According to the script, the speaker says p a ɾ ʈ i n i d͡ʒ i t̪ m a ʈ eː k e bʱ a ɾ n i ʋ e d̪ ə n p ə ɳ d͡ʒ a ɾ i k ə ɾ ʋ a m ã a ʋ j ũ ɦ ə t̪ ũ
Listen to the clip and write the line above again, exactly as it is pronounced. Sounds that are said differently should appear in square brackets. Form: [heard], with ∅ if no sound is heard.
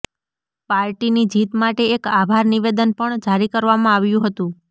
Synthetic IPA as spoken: p a ɾ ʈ i n i d͡ʒ i t̪ m a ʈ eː k [a] bʱ a ɾ n i ʋ e d̪ ə n p ə ɳ d͡ʒ a ɾ i k ə ɾ ʋ a m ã a ʋ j ũ ɦ ə t̪ ũ

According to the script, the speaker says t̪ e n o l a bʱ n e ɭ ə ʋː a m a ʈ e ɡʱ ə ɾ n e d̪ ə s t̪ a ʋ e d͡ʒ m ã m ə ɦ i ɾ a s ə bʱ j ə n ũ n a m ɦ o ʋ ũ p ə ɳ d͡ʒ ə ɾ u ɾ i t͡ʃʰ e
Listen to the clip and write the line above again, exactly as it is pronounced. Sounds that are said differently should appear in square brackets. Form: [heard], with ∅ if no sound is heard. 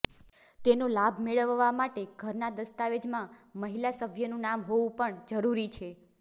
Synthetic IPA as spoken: t̪ e n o l a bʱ [m] e ɭ ə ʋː a m a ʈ e ɡʱ ə ɾ n [a] d̪ ə s t̪ a ʋ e d͡ʒ m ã m ə ɦ i [l] a s ə bʱ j ə n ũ n a m ɦ o ʋ ũ p ə ɳ d͡ʒ ə ɾ u ɾ i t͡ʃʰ e

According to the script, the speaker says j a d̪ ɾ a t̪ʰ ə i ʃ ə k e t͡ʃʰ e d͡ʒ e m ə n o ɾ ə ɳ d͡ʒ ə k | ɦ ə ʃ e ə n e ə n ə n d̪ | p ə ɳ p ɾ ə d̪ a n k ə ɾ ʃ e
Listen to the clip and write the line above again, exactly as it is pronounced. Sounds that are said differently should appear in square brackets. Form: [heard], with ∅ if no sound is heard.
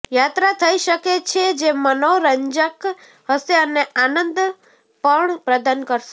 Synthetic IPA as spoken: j a [t̪] ɾ a t̪ʰ ə i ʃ ə k e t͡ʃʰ e d͡ʒ e m ə n o ɾ ə [ɲ] d͡ʒ ə k | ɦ ə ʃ e ə n e [a] n ə n d̪ | p ə ɳ p ɾ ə d̪ a n k ə ɾ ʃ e

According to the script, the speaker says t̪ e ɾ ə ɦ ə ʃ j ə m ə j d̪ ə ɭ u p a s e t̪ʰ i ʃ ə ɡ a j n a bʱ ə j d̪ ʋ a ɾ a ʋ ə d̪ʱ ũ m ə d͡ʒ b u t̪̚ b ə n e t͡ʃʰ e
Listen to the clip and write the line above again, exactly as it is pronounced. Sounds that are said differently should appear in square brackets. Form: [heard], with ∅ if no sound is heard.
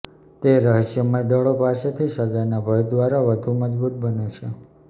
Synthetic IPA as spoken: t̪ e ɾ ə ɦ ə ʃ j ə m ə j d̪ ə ɭ [o] p a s e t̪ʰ i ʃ ə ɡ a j n a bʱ ə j d̪ ʋ a ɾ a ʋ ə d̪ʱ [u] m ə d͡ʒ b u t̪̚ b ə n e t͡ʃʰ e

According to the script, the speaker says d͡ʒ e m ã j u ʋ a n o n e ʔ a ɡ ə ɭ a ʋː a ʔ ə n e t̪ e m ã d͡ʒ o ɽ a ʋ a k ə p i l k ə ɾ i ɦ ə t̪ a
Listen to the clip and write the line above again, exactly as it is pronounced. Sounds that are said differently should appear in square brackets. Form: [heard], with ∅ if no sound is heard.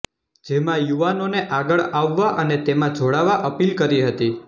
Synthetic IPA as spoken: d͡ʒ e m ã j u ʋ a n o n e ʔ a ɡ ə ɭ a ʋː a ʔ ə n e t̪ e m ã d͡ʒ o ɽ a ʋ a [ʔ] ə p i l k ə ɾ i ɦ ə t̪ [i]

